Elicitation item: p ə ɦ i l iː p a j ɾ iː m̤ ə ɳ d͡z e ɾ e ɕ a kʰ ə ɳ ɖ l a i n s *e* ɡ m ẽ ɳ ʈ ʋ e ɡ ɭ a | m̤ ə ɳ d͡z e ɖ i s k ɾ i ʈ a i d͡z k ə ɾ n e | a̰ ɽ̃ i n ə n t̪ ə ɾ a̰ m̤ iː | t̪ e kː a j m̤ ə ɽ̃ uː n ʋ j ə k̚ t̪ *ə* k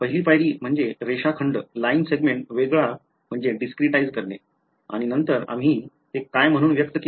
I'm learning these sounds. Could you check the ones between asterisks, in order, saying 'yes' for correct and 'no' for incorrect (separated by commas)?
yes, yes